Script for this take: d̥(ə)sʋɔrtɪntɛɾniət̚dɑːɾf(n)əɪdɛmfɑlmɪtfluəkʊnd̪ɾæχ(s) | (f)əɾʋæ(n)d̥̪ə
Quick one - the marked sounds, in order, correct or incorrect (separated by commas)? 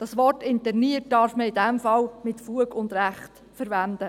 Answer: incorrect, incorrect, incorrect, correct, correct